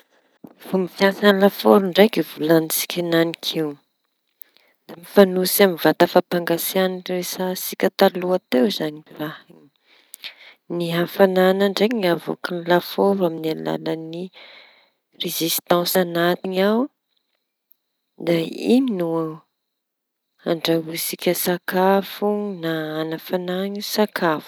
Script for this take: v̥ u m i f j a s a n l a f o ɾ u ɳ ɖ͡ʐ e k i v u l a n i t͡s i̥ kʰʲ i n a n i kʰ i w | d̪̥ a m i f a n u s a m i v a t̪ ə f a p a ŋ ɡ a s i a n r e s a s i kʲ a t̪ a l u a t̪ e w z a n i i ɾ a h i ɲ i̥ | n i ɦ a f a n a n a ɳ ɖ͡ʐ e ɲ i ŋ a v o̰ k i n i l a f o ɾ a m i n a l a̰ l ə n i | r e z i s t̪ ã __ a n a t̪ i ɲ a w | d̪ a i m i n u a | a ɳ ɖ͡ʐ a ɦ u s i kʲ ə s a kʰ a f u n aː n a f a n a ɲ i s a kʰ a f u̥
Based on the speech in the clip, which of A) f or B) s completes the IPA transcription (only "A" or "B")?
B